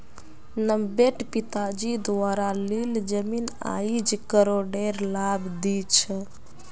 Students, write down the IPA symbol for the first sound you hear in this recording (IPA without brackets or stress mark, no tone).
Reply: n